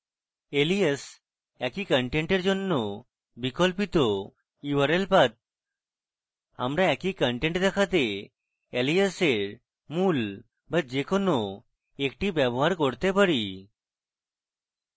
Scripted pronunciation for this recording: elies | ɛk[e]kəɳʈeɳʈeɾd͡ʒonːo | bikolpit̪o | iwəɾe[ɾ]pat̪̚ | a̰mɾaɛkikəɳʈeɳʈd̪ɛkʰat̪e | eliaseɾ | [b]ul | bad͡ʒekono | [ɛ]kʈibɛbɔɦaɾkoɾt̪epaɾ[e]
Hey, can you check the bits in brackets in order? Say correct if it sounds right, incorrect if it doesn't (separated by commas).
incorrect, incorrect, incorrect, incorrect, incorrect